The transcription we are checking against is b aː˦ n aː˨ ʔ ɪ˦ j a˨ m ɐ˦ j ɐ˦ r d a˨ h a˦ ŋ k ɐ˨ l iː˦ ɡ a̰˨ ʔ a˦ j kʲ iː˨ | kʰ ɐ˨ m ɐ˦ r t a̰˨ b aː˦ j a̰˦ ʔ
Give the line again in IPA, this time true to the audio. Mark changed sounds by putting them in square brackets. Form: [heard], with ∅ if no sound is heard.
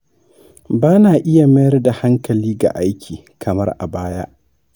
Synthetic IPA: b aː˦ n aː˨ ʔ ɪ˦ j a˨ m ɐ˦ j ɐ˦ r d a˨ h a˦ ŋ k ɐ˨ l iː˦ ɡ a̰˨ ʔ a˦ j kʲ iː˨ | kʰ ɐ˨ m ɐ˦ r [ʔ] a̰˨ b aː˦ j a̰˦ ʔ